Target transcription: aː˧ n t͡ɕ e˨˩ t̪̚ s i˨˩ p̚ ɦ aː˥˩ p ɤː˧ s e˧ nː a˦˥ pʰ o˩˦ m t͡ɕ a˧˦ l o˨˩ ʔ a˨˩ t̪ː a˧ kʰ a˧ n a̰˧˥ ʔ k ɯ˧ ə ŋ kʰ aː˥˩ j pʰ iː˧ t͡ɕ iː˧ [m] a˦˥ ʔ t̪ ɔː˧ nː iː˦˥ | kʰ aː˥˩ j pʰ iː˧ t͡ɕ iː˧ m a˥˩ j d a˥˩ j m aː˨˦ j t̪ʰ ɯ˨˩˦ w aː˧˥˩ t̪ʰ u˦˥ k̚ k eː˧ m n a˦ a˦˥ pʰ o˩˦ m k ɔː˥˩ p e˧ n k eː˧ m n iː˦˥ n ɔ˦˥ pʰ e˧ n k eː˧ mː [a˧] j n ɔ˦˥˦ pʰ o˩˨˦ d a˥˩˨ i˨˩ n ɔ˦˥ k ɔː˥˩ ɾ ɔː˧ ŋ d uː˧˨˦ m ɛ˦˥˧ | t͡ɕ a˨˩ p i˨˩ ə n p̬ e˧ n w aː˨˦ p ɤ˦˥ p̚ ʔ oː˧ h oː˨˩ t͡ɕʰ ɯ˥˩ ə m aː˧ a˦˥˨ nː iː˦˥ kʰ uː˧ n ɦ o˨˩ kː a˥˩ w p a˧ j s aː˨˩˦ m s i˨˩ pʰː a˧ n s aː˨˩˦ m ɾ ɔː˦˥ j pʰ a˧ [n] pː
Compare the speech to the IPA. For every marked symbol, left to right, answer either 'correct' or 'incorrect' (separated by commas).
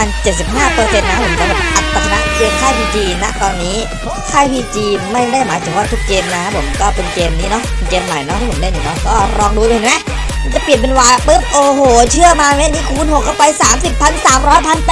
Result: incorrect, incorrect, correct